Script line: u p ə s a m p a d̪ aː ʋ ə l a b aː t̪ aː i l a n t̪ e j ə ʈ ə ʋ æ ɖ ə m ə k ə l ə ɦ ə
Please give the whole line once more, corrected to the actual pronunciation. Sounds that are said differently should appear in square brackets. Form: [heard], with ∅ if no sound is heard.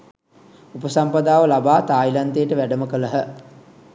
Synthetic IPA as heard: u p ə s a m p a d̪ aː ʋ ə l a b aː t̪ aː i l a n t̪ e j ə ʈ ə ʋ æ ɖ ə m ə k ə l ə ɦ ə